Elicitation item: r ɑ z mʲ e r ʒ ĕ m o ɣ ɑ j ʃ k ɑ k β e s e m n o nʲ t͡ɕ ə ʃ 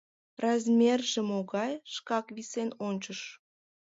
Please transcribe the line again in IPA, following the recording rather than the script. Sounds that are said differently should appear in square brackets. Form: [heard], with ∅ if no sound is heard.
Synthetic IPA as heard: r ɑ z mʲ e r ʒ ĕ m o ɣ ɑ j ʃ k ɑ k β [i] s e [∅] n o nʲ t͡ɕ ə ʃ